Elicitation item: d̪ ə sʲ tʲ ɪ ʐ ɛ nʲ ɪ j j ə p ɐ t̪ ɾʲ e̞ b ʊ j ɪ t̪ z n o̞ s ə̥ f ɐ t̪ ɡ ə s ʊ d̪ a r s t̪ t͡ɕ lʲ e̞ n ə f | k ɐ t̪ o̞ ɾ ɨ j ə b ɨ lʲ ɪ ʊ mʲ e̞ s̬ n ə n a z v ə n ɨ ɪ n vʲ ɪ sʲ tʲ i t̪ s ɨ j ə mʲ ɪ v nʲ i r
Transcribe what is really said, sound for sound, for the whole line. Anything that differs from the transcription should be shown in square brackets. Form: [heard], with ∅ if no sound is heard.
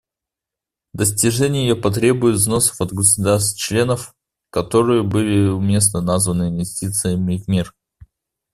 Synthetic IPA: d̪ ə sʲ tʲ ɪ ʐ ɛ nʲ ɪ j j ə p ɐ t̪ ɾʲ e̞ b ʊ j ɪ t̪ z n o̞ s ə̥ f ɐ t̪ ɡ ə s ʊ d̪ a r s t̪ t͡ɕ lʲ e̞ n ə f | k ɐ t̪ o̞ ɾ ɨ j ə b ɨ lʲ ɪ ʊ mʲ e̞ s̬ n ə n a z v ə n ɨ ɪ n vʲ ɪ sʲ tʲ i t̪ s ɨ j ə mʲ ɪ v [mʲ] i r